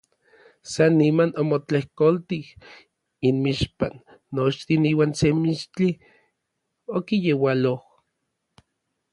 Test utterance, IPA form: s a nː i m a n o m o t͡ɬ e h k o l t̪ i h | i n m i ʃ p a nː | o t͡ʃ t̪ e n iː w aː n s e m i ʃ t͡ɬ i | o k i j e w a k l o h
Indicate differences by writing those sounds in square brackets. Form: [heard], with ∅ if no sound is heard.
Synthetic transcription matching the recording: s a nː i m a n o m o t͡ɬ e h k o l t̪ i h | i n m i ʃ p a nː | o t͡ʃ t̪ [i] n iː w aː n s e m i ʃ t͡ɬ i | o k i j e w a [∅] l o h